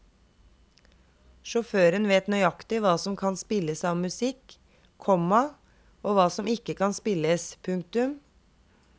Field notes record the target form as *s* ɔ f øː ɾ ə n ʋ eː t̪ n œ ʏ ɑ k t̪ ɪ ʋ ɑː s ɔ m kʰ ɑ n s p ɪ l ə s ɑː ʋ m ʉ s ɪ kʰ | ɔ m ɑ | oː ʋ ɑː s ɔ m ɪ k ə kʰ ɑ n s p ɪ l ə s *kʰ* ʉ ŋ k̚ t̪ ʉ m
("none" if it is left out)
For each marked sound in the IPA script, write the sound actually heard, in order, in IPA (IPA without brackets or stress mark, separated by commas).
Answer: ʃ, pʰ